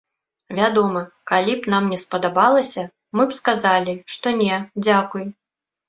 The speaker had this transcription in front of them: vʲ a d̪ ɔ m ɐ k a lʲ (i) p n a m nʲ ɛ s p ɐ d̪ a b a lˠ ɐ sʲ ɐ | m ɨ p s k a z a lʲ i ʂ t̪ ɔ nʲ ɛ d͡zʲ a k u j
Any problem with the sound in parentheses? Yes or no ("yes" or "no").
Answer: no